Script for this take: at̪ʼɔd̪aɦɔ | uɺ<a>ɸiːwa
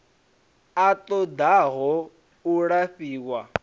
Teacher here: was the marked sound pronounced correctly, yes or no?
yes